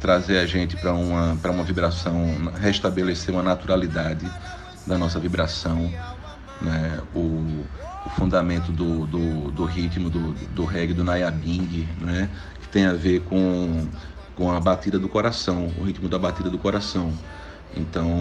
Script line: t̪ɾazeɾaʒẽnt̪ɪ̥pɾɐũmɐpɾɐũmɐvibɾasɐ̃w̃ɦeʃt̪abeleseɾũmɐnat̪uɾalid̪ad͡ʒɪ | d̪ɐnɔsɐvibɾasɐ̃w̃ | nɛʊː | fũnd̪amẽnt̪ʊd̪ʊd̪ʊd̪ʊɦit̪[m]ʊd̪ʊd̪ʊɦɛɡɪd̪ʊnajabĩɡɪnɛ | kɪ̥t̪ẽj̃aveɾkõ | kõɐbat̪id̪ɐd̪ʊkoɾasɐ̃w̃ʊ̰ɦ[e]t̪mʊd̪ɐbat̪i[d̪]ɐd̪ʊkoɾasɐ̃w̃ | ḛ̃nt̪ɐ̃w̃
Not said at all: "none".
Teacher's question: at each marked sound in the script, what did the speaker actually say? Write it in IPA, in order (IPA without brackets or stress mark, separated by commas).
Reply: m, i, d̪